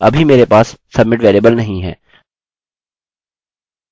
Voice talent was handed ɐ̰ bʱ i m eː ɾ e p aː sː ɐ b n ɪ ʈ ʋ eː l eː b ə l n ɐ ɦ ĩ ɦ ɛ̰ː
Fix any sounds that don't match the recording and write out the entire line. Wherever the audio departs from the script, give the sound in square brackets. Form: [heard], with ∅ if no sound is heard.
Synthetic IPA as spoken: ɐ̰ bʱ i m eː ɾ e p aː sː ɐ b [m] ɪ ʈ ʋ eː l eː b ə l n ɐ ɦ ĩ ɦ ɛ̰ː